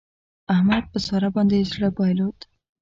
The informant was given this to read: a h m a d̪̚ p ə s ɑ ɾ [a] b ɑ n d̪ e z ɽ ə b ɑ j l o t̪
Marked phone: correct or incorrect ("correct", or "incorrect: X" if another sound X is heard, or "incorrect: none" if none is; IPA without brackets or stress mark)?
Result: correct